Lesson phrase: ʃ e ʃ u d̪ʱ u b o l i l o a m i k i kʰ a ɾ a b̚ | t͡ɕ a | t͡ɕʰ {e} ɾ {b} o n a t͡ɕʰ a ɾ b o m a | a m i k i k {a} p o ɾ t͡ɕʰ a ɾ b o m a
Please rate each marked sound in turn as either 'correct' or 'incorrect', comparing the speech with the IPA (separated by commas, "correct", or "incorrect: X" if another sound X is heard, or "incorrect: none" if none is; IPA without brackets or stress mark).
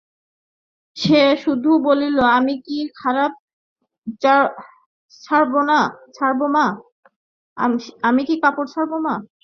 incorrect: a, correct, correct